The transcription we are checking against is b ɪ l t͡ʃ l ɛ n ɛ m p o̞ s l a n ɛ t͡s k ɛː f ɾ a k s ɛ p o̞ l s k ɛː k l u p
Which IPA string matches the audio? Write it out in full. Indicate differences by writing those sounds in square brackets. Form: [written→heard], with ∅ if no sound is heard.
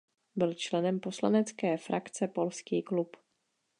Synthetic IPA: b ɪ l t͡ʃ l ɛ n ɛ m p o̞ s l a n ɛ t͡s k ɛː f ɾ a k [s→t͡s] ɛ p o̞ l s k [ɛː→iː] k l u p